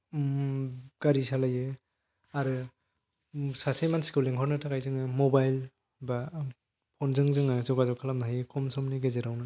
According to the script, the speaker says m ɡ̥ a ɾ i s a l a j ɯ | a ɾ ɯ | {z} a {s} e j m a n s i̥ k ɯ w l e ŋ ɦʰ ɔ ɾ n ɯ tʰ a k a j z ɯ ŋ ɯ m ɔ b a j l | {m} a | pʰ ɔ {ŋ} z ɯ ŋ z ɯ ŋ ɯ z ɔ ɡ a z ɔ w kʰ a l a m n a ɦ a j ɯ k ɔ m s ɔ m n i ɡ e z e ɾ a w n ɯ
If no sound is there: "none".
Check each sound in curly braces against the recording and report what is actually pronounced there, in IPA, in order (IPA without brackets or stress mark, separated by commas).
s, s, b, n